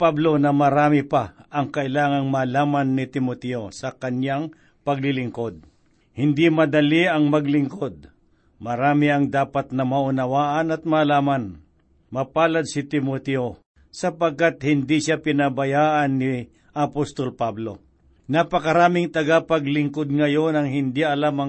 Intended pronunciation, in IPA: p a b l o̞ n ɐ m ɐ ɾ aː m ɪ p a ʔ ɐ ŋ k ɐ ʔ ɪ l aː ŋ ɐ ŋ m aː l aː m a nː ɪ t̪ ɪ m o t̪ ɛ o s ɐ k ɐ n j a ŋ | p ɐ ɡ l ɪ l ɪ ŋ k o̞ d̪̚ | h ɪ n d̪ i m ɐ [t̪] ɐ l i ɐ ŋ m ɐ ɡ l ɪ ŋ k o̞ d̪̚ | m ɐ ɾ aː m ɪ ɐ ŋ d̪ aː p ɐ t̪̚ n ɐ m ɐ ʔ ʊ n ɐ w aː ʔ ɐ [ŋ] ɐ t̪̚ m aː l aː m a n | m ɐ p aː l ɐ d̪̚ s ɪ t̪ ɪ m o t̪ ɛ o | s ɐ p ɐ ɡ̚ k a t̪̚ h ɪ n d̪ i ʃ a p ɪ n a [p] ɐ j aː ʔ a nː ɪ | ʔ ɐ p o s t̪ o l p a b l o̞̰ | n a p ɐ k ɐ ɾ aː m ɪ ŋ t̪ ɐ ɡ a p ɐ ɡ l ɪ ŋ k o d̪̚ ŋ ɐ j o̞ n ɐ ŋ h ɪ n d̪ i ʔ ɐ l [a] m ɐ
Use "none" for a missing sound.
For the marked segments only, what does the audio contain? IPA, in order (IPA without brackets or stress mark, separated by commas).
d̪, n, b, a